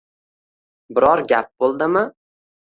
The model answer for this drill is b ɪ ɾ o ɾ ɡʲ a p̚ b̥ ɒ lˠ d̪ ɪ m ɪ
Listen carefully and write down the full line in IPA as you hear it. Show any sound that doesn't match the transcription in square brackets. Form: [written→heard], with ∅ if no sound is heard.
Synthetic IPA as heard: b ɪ ɾ [o→ɒ] ɾ ɡʲ a p̚ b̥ [ɒ→o] lˠ d̪ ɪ m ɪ